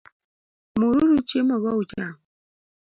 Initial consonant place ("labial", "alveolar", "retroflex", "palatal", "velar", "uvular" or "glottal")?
labial